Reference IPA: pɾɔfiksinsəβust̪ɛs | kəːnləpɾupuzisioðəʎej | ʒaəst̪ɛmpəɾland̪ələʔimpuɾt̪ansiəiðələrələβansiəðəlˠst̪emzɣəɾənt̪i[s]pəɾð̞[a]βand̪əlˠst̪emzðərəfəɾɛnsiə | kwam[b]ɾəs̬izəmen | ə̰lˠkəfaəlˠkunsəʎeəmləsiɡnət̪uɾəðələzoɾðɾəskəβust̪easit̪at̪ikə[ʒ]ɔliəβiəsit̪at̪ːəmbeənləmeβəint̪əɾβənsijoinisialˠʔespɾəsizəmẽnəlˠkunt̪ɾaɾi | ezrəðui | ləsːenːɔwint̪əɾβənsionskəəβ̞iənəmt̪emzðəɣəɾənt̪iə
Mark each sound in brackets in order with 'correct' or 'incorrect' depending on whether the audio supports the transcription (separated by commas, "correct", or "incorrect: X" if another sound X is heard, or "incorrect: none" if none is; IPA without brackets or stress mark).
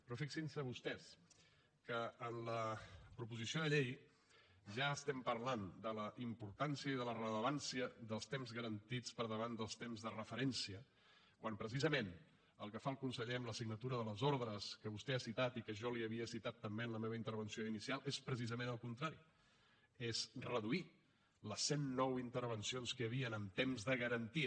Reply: incorrect: t͡s, incorrect: ə, incorrect: p, correct